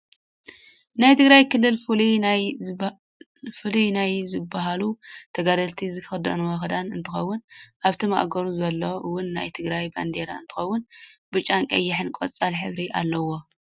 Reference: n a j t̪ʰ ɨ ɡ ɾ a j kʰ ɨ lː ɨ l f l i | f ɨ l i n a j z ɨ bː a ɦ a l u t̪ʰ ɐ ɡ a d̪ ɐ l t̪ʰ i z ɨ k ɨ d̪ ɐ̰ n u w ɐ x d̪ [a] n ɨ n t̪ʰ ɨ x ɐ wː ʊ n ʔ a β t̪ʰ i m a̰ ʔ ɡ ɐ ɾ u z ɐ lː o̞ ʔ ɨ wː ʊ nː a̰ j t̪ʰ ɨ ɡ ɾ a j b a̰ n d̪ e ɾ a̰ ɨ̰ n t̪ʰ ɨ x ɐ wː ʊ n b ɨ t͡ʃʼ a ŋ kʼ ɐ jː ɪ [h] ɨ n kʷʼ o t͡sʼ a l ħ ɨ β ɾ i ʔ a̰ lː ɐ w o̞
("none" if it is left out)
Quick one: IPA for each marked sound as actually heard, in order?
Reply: a, ħ

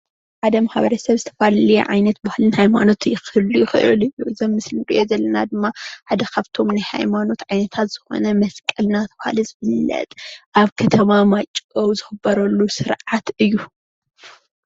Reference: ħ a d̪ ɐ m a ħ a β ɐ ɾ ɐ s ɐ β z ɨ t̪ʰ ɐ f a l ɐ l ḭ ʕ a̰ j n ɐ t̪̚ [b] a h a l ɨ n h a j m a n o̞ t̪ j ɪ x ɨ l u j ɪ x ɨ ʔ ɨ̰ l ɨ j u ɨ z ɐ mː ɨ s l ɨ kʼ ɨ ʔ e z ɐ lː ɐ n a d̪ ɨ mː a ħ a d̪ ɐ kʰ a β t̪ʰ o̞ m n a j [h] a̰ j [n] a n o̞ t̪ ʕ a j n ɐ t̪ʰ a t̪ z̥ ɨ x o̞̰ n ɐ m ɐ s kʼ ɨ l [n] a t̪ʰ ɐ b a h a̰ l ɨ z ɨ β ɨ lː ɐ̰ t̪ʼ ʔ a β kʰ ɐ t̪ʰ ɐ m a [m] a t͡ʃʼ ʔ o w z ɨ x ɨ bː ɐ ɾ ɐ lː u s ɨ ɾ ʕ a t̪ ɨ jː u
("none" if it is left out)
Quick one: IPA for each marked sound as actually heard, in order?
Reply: b, h, m, n, m

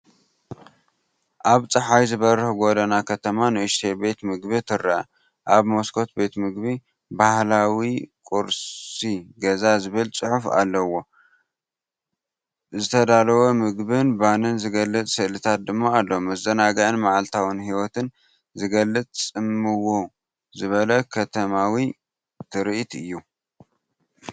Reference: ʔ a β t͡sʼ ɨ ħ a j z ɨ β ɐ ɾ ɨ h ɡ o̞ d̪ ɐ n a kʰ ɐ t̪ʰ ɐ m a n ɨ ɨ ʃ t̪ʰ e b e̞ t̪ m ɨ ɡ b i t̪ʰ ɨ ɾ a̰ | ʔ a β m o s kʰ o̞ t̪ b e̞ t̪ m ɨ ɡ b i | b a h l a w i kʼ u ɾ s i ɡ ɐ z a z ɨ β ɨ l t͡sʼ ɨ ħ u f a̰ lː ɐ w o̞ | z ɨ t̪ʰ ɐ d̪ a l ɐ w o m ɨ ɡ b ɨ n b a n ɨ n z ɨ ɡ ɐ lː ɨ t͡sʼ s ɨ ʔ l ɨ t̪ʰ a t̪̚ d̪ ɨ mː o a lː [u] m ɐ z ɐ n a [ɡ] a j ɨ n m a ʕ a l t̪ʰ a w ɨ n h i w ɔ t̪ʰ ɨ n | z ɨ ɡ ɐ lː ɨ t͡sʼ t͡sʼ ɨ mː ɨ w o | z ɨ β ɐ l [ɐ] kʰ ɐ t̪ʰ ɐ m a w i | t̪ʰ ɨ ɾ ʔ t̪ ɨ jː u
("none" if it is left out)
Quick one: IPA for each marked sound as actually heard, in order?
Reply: o, ɡ, ɐ

